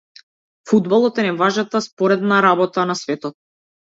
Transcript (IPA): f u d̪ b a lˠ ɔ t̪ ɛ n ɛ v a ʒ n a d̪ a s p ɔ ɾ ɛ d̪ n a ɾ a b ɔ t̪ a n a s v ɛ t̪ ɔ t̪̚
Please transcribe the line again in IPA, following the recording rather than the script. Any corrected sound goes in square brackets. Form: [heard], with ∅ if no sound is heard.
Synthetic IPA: f u d̪ b a lˠ ɔ t̪ ɛ n ɛ v a ʒ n a [t̪] a s p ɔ ɾ ɛ d̪ n a ɾ a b ɔ t̪ a n a s v ɛ t̪ ɔ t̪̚